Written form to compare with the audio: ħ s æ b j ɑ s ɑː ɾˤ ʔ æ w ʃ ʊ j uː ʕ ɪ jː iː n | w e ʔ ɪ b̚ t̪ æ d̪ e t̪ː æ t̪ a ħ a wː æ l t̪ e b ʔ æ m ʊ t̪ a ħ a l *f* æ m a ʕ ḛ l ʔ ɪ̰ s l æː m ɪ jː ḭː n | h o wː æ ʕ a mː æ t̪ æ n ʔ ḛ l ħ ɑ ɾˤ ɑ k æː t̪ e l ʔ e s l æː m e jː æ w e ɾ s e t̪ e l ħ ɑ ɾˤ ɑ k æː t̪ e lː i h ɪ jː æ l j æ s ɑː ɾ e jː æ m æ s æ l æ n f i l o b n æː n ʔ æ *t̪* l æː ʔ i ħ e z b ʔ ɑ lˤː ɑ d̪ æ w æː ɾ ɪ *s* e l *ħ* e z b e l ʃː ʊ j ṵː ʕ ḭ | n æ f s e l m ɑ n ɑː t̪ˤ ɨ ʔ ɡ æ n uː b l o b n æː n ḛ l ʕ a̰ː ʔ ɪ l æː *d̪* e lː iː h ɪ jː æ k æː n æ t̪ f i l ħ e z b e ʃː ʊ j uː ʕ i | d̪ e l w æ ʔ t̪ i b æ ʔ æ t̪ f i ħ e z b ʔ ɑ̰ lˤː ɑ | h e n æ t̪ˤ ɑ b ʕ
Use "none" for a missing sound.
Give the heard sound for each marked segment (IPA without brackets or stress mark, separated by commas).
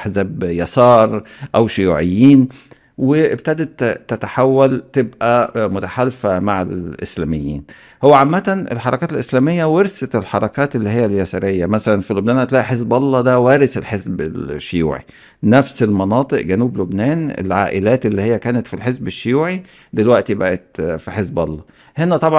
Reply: f, t̪, s, ħ, t̪